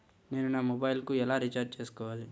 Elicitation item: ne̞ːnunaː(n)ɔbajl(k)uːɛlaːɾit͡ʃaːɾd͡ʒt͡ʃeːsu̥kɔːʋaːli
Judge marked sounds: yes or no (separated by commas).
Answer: no, yes